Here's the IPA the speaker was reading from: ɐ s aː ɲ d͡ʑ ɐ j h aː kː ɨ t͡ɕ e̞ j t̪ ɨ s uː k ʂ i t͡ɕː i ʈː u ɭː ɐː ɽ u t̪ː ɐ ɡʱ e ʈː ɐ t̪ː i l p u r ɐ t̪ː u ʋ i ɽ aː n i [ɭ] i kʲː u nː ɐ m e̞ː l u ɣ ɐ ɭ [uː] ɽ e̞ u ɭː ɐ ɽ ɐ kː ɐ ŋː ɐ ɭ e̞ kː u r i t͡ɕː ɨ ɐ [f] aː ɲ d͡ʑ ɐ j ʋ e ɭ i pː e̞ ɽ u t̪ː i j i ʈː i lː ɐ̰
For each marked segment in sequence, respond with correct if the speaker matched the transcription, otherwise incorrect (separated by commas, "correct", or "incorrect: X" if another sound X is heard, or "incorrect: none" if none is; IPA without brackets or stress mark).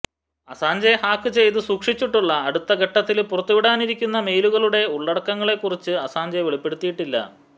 incorrect: ɾ, incorrect: u, incorrect: s